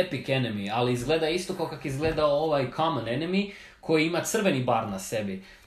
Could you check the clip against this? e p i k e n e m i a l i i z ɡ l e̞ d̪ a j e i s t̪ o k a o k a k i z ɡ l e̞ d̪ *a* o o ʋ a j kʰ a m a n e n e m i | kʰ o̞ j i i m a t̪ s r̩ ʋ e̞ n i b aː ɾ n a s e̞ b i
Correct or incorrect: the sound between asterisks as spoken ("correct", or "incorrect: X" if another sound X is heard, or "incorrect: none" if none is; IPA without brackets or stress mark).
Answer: correct